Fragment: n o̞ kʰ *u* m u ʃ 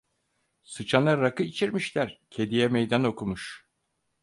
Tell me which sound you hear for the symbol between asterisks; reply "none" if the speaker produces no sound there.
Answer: u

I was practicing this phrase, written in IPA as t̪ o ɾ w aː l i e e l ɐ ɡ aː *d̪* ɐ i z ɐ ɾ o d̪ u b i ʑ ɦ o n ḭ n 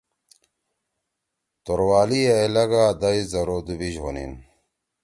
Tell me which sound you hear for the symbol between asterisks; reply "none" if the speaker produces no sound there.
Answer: d̪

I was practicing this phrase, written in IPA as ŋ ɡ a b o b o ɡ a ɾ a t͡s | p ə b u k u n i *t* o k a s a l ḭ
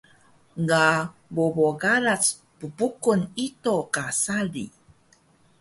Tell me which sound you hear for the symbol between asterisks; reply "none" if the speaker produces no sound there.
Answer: t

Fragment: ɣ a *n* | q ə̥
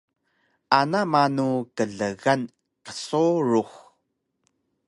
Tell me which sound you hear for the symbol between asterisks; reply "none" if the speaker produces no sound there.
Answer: n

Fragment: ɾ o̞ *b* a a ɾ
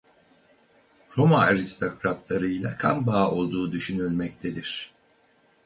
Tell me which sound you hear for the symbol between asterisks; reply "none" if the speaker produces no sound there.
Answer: m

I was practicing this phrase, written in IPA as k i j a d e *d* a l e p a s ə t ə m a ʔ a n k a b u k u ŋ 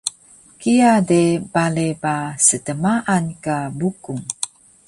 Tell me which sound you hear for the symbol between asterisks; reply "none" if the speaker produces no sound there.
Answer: b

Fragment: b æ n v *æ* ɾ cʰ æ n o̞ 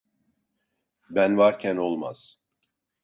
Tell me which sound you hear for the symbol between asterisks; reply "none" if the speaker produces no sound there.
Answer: a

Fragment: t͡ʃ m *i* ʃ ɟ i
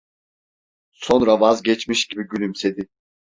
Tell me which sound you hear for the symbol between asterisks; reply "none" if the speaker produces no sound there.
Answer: i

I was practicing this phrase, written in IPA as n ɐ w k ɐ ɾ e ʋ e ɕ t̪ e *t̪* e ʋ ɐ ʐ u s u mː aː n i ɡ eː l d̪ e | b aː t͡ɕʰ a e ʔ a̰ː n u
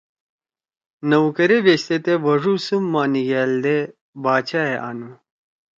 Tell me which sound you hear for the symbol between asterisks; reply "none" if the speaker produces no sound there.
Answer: t̪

